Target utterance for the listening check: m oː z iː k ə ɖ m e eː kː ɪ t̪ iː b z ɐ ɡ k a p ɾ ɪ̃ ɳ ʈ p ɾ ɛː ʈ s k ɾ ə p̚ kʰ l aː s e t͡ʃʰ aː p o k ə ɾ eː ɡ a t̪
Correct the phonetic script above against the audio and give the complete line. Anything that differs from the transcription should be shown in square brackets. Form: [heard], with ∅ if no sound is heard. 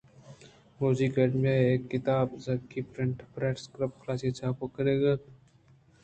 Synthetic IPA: m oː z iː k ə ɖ m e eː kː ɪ t̪ [aː] b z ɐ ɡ k [i] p ɾ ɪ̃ ɳ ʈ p ɾ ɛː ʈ s k ɾ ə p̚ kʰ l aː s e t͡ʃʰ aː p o k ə ɾ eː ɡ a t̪